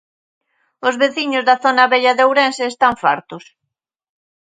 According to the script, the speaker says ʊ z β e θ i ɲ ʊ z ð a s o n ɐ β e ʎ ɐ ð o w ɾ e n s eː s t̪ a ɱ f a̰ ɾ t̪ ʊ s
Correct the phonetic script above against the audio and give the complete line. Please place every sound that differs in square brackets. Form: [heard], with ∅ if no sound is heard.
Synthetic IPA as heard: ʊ z β e θ i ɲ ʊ z ð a [θ] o n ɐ β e ʎ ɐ ð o w ɾ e n s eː s t̪ a ɱ f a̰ ɾ t̪ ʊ s